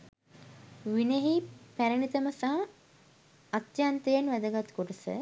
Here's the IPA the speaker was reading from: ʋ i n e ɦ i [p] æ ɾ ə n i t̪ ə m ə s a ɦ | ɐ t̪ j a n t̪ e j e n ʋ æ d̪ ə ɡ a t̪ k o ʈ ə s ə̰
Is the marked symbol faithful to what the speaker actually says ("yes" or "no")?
yes